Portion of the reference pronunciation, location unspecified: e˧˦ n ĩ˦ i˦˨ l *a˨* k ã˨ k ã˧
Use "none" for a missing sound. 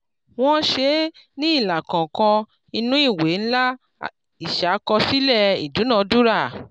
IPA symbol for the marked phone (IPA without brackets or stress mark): a˨